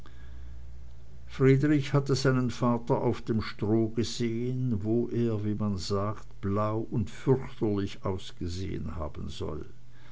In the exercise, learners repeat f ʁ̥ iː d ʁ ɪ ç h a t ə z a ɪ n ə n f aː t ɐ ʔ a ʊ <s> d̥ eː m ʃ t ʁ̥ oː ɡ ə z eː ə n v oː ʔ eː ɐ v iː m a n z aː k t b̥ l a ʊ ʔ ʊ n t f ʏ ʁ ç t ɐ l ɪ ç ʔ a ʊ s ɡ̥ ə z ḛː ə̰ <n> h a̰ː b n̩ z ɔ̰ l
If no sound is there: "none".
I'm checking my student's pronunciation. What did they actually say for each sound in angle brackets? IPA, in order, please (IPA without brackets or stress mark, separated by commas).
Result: f, n